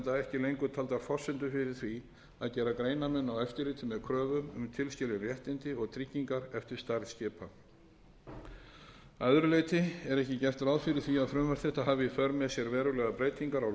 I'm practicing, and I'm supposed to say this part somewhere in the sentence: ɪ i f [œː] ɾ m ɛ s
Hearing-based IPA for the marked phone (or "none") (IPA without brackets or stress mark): œ